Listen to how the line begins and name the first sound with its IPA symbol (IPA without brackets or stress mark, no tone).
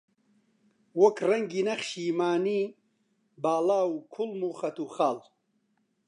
w